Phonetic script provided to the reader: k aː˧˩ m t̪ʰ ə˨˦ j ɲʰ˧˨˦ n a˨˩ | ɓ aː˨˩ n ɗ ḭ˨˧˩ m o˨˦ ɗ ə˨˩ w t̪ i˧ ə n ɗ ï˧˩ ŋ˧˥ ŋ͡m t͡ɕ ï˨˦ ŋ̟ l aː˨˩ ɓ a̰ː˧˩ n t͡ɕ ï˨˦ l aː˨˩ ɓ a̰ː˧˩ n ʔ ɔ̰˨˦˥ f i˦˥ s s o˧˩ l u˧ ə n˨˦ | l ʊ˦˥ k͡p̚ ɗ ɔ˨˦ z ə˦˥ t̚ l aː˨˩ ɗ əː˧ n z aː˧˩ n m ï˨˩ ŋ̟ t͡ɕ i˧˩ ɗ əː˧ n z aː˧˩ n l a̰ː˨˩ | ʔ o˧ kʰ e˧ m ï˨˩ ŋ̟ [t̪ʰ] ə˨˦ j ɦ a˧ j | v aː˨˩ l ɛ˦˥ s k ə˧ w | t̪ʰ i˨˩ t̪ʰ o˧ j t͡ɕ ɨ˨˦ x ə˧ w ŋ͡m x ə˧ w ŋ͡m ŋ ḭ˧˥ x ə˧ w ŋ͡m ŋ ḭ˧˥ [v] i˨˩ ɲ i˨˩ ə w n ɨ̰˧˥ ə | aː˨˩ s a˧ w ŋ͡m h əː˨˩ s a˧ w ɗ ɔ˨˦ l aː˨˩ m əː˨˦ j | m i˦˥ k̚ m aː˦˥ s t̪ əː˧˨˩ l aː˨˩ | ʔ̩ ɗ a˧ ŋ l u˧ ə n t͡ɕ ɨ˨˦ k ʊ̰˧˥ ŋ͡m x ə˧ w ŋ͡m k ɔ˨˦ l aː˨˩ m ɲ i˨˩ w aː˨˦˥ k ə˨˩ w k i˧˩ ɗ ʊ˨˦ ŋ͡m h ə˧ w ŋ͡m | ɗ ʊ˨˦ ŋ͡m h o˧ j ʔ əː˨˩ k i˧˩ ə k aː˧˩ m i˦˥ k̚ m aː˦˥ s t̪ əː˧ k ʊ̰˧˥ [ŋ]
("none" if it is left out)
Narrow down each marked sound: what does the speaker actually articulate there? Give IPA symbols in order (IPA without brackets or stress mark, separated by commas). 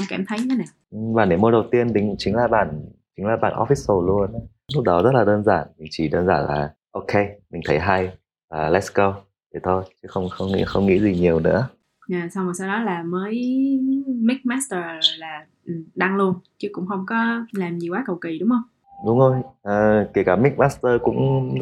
t̪ʰ, z, ŋ͡m